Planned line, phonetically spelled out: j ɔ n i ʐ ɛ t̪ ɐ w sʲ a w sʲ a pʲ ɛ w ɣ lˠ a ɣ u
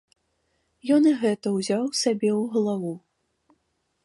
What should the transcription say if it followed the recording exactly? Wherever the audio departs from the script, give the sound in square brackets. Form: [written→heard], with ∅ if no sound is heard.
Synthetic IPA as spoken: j ɔ n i [ʐ→ɣ] ɛ t̪ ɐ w [sʲ→zʲ] a w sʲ a [pʲ→bʲ] ɛ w ɣ lˠ a [ɣ→v] u